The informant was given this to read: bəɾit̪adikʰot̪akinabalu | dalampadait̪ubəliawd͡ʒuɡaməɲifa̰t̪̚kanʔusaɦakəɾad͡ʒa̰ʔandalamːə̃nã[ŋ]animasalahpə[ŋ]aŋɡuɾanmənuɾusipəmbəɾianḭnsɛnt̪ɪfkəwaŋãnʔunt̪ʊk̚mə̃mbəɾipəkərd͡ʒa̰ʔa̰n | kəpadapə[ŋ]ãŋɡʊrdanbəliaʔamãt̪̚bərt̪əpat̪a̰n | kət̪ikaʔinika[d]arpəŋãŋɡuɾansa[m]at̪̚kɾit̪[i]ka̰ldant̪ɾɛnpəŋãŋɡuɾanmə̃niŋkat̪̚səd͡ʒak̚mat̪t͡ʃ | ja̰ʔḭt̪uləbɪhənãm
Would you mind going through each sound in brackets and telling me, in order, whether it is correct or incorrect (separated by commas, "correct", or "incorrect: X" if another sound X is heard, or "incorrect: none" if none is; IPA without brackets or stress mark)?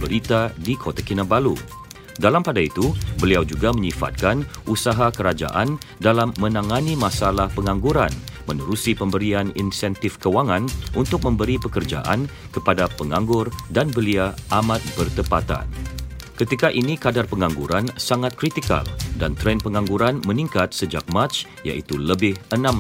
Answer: correct, correct, correct, correct, incorrect: ŋ, correct